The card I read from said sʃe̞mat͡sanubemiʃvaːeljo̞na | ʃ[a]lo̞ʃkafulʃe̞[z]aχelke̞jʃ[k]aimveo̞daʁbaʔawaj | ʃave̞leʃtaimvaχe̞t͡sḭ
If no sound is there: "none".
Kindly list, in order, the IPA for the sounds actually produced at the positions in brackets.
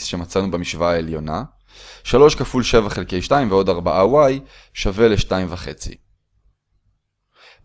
a, v, t

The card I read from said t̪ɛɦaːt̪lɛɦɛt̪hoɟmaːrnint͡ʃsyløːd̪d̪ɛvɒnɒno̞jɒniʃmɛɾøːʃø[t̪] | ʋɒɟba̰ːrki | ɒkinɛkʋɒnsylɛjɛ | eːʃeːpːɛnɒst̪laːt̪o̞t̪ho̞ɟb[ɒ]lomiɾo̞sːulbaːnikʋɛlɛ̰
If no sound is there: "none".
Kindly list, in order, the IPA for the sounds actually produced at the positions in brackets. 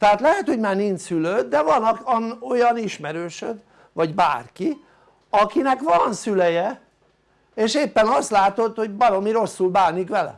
d̪, ɒ

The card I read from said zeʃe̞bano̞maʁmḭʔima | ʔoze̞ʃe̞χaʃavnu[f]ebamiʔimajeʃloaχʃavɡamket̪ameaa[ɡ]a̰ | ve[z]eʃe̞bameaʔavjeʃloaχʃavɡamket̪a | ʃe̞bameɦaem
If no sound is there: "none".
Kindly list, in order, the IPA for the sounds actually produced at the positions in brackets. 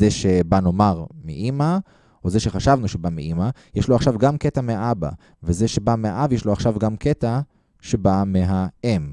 ʃ, b, z

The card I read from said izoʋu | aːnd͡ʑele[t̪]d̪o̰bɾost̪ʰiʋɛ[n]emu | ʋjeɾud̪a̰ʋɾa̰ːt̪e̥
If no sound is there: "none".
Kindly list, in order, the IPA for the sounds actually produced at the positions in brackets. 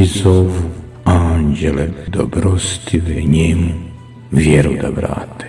none, ɲ

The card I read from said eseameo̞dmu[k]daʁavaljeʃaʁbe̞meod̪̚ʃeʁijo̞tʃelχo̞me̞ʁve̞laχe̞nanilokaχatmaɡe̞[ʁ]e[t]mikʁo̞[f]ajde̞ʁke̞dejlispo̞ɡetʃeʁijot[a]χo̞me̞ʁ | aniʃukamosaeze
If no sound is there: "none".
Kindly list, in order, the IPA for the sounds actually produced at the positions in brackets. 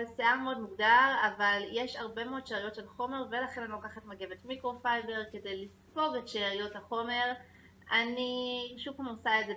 ɡ, v, t, f, a

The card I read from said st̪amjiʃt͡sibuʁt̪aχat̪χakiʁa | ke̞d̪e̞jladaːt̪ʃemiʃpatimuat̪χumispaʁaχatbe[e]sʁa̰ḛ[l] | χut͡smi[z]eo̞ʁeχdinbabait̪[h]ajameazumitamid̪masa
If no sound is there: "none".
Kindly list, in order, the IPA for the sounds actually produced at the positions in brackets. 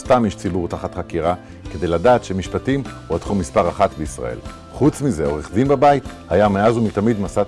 i, l, z, h

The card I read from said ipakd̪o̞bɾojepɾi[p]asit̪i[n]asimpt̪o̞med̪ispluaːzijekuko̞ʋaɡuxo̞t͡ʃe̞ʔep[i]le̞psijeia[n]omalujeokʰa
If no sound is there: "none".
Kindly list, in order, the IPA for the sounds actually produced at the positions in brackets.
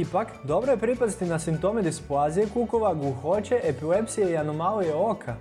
p, n, i, n

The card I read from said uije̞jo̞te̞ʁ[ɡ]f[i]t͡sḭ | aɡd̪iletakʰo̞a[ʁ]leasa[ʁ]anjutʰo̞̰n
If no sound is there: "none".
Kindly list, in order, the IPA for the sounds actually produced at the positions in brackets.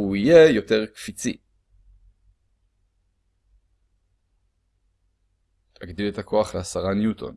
k, i, χ, ʁ

